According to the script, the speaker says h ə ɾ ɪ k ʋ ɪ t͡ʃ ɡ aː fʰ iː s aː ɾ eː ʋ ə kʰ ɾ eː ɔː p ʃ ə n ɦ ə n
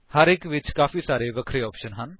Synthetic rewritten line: h ə ɾ ɪ k ʋ ɪ t͡ʃ k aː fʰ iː s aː ɾ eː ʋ ə kʰ ɾ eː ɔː p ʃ ə n ɦ ə n